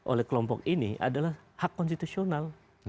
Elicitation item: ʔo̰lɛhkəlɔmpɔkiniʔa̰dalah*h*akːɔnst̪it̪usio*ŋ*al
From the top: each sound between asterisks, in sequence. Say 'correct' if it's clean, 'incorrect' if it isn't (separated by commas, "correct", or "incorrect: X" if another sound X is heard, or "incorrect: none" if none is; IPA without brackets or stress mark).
correct, incorrect: n